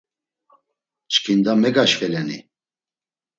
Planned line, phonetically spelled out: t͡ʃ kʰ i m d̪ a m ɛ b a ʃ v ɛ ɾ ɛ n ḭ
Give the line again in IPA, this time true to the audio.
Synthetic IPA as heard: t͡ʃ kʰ i n d̪ a m ɛ ɡ a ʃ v ɛ l ɛ n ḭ